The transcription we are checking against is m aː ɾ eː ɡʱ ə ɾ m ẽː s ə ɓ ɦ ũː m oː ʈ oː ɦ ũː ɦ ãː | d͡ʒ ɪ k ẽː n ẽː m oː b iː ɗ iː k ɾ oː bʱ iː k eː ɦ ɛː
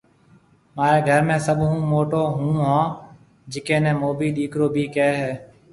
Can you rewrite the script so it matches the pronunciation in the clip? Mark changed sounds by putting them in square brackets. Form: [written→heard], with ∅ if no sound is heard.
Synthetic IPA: m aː ɾ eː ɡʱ ə ɾ m ẽː s ə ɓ ɦ ũː m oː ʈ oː ɦ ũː ɦ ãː | d͡ʒ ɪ k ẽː n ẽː m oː b iː ɗ iː k ɾ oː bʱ iː k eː ɦ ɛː